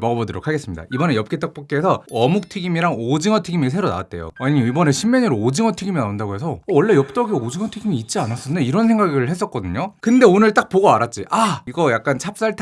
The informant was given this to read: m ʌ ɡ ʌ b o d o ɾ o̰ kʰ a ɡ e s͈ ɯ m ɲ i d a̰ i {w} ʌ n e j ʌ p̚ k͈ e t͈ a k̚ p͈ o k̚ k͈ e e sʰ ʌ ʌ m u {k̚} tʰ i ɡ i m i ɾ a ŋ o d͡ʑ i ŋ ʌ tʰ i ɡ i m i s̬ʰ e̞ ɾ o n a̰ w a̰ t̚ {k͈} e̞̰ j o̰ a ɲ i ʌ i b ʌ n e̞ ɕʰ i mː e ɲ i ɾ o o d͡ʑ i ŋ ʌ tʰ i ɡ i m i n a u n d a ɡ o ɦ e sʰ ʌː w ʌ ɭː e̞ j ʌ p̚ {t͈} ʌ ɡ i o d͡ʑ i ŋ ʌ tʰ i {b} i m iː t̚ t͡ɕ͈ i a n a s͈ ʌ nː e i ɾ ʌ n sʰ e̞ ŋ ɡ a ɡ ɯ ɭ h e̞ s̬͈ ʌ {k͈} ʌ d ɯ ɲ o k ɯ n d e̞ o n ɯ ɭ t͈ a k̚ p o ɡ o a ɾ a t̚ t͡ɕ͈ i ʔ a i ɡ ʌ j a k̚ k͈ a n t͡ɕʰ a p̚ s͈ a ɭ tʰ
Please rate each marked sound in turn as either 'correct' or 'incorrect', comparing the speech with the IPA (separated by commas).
incorrect, correct, incorrect, correct, incorrect, correct